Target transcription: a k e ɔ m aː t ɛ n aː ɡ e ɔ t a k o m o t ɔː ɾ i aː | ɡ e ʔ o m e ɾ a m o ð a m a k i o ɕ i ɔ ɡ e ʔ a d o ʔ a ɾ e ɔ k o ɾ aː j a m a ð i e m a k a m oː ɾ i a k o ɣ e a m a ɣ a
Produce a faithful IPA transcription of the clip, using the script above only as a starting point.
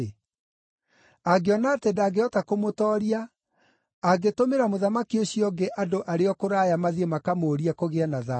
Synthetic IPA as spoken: a ɡ e ɔ n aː t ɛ d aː ɡ e ɔ t a k o m o t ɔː ɾ i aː | ɡ e t o m e ɾ a m o ð a m a k i o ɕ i ɔ ɡ e ʔ a d o ʔ a ɾ e ɔ k o ɾ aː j a m a ð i e m a k a m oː ɾ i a k o ɣ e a n a ð a